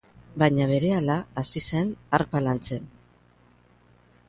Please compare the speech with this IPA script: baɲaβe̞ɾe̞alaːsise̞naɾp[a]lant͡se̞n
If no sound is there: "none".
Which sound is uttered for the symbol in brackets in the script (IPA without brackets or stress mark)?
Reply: a